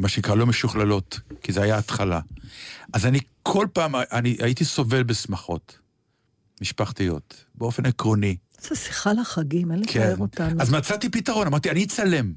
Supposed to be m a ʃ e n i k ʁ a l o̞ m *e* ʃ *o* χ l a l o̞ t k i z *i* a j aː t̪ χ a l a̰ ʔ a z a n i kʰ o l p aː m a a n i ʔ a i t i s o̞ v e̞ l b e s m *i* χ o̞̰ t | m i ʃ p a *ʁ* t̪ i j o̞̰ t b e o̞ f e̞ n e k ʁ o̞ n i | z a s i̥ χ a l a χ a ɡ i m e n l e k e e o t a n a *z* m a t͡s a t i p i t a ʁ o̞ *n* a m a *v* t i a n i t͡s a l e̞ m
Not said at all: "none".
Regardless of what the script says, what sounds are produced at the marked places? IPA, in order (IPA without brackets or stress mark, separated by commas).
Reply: e, u, e, a, χ, z, n, ʁ